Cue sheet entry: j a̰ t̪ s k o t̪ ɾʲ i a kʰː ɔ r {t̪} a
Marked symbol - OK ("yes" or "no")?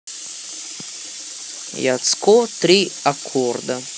no